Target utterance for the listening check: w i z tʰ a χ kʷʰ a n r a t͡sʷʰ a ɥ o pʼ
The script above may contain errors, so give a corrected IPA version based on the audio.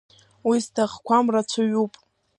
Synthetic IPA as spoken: w i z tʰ a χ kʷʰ a m r a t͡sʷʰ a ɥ u pʼ